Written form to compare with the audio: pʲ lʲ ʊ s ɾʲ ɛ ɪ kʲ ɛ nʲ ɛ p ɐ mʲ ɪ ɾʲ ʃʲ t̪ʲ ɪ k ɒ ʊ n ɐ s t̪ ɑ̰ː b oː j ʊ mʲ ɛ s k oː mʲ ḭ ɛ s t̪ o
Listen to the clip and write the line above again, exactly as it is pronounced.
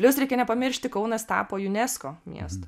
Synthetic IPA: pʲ lʲ ʊ s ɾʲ ɛ ɪ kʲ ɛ nʲ ɛ p ɐ mʲ ɪ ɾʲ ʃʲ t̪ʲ ɪ k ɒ ʊ n ɐ s t̪ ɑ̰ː p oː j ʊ nʲ ɛ s k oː mʲ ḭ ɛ s t̪ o